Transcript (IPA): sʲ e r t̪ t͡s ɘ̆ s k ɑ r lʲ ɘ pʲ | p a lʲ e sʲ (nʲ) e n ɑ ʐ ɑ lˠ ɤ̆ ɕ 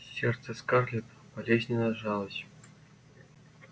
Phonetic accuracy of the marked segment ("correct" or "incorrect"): correct